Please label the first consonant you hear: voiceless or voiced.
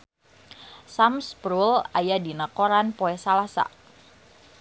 voiceless